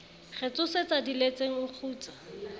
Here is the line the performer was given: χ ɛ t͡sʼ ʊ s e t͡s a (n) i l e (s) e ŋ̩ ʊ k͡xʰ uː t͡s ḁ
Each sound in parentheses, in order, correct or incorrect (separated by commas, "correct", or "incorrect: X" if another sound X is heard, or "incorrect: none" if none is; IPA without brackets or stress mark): incorrect: d, incorrect: t͡s